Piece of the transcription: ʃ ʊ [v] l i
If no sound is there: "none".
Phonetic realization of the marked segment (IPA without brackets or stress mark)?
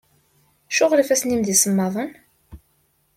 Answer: ʁ